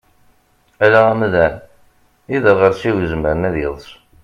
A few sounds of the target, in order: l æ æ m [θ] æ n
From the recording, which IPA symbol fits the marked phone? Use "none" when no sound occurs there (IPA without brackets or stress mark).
ð